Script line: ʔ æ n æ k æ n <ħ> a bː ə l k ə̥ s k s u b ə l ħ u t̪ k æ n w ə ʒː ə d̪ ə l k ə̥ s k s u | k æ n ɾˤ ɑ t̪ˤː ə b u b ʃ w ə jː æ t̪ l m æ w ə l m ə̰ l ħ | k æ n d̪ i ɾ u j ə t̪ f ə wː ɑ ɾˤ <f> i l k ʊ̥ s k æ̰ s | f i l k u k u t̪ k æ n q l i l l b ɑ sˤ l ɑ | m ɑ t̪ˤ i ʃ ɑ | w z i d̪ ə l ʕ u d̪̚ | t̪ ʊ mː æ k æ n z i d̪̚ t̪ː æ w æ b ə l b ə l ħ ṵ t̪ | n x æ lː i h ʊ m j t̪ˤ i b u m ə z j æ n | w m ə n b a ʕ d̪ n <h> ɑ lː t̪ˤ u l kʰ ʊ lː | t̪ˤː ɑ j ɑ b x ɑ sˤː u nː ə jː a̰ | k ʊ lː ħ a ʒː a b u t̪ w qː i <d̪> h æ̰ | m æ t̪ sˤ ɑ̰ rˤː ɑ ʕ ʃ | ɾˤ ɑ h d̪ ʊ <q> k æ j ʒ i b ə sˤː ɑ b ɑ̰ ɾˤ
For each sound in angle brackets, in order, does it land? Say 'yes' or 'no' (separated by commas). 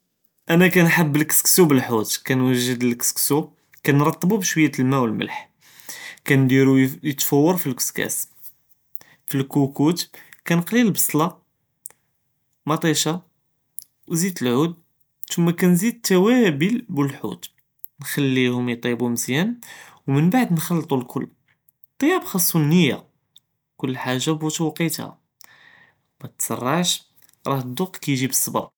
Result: yes, yes, no, no, yes